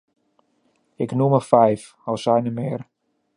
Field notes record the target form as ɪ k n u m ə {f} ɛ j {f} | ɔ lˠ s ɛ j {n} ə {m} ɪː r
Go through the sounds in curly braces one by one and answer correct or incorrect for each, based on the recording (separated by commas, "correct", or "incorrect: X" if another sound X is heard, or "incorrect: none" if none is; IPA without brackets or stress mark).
correct, correct, correct, correct